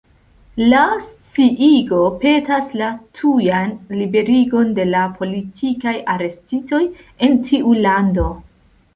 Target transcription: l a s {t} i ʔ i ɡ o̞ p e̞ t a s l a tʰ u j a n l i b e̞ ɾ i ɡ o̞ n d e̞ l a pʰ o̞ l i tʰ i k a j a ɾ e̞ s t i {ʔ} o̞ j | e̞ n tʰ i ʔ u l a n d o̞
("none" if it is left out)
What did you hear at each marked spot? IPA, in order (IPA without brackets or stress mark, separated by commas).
t͡s, t